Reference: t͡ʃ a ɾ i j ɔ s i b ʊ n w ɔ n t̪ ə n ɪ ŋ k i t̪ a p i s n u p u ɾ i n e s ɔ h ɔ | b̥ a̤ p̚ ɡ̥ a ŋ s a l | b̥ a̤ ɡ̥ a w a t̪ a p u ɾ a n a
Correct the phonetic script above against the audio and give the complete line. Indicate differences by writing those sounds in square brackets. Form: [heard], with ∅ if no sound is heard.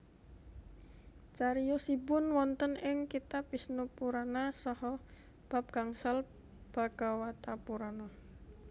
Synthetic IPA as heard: t͡ʃ a ɾ i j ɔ s i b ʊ n w ɔ n t̪ ə n ɪ ŋ k i t̪ a p i s n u p u ɾ [a] n [a] s ɔ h ɔ | b̥ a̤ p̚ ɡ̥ a ŋ s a l | b̥ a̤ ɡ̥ a w a t̪ a p u ɾ a n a